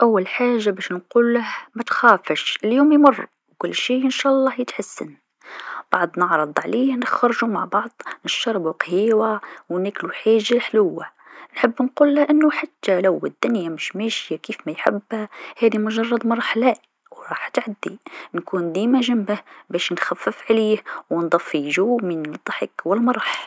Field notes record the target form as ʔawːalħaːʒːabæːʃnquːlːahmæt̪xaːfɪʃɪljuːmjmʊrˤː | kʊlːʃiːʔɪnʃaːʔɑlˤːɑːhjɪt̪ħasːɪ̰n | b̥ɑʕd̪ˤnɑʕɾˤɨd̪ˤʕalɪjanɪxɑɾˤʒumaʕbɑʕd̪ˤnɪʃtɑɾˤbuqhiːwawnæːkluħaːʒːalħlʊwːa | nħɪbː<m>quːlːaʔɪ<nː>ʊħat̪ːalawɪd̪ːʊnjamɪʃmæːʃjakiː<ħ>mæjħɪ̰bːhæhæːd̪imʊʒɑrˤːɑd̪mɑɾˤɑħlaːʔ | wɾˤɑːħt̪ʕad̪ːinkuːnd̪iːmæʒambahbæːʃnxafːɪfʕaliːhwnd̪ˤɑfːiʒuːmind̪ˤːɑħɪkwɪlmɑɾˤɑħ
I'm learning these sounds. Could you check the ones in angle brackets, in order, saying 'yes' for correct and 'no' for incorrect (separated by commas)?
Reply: no, yes, no